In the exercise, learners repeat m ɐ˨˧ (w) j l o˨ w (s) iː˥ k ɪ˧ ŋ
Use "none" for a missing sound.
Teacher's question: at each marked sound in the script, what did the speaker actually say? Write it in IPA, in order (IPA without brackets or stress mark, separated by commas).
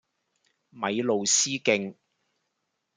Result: none, s